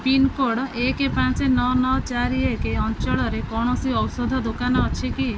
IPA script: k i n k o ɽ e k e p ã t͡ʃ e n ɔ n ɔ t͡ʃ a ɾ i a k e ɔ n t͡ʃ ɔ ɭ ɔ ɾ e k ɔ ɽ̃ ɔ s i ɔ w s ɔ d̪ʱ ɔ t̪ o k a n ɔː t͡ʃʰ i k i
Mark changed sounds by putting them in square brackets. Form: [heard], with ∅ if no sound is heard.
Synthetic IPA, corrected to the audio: [p] i n k o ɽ e k e p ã t͡ʃ e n ɔ n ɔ t͡ʃ a ɾ i [e] k e ɔ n t͡ʃ ɔ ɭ ɔ ɾ e k ɔ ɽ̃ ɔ s i ɔ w s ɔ d̪ʱ ɔ [d̪] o k a n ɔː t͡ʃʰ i k i